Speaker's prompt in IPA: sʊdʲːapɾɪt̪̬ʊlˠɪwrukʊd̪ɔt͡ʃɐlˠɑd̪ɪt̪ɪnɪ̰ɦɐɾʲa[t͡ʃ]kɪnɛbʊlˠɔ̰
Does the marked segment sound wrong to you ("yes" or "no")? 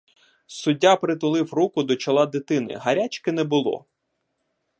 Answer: no